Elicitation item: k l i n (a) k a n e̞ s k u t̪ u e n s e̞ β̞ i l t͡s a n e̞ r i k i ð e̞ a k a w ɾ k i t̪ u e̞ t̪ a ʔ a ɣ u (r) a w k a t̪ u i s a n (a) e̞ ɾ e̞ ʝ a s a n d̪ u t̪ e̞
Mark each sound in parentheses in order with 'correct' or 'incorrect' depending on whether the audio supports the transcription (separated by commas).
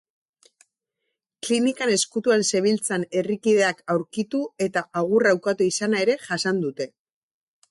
incorrect, correct, correct